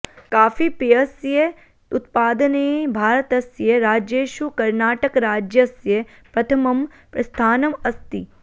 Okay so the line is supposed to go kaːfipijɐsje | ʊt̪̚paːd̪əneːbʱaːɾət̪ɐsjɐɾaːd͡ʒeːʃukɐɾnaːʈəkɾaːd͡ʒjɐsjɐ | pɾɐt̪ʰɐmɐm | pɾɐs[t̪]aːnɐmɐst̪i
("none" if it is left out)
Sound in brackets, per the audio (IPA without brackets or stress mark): t̪ʰ